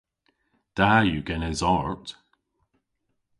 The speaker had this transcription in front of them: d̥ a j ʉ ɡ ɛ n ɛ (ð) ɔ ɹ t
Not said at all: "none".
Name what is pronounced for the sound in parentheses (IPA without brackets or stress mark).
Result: z